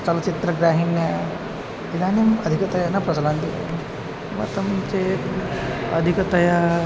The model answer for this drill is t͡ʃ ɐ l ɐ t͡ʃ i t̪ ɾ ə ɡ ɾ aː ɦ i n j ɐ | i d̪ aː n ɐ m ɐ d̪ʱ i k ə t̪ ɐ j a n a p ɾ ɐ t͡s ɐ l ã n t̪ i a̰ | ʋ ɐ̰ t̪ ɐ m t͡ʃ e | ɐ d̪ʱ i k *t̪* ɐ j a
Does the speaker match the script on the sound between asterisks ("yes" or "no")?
yes